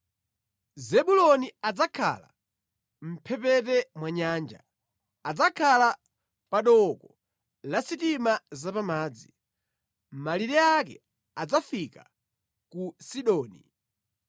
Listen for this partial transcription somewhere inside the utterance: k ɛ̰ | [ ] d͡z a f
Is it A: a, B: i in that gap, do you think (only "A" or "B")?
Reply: A